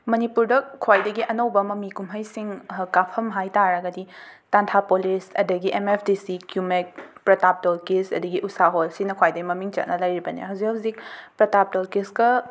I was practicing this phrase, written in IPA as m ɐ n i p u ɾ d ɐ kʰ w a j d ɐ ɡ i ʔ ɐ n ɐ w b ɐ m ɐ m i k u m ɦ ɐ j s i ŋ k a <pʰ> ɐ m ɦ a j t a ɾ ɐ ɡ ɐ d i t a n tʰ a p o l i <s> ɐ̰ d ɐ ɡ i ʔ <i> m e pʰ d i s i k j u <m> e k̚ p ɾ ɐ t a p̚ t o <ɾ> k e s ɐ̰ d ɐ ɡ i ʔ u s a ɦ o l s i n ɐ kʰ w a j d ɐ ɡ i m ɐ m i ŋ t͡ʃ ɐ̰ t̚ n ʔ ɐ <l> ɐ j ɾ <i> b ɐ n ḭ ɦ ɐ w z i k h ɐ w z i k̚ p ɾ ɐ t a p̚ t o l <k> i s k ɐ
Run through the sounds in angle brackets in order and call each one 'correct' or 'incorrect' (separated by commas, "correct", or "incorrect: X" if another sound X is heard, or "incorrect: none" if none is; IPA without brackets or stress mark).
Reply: correct, correct, incorrect: e, correct, incorrect: l, correct, correct, correct